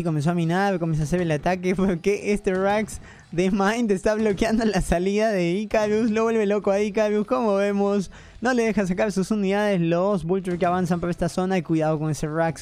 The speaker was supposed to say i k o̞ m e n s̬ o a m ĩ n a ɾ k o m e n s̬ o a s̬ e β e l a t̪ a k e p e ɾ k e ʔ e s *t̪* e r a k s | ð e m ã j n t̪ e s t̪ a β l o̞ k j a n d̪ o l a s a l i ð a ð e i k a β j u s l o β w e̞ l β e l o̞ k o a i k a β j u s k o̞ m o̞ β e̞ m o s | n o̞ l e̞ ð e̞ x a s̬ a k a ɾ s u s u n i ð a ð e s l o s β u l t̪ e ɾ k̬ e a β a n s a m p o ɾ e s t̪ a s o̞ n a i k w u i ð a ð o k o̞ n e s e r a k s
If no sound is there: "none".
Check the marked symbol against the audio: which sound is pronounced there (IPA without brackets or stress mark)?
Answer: t̪